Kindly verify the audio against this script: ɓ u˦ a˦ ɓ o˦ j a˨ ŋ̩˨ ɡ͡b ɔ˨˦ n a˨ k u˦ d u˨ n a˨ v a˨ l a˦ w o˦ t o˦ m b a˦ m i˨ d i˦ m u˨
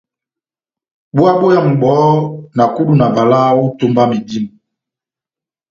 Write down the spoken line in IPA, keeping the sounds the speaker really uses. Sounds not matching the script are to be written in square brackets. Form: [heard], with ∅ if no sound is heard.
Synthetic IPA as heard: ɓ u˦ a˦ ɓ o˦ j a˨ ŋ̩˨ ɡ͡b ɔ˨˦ n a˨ k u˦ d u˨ n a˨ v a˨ l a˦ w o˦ t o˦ m b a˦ m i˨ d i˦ m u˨